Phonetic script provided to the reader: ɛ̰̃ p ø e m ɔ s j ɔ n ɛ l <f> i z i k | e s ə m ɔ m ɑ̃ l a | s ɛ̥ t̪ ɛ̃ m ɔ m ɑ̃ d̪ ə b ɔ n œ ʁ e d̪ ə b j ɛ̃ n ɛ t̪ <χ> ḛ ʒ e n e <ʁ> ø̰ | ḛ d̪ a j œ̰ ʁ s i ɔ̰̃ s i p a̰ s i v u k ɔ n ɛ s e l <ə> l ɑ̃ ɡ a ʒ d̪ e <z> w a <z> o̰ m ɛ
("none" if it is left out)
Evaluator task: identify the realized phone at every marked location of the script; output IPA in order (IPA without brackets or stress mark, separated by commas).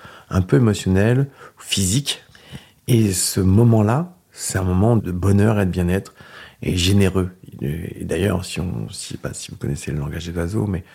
f, χ, ʁ, ə, z, z